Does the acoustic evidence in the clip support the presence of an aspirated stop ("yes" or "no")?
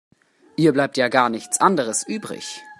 no